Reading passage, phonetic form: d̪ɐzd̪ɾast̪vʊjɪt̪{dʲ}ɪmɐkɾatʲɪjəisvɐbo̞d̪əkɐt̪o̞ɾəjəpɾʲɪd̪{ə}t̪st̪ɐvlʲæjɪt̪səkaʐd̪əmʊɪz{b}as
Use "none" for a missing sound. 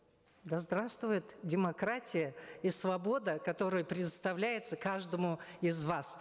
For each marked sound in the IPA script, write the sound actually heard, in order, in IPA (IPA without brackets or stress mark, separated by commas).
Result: dʲ, ə, v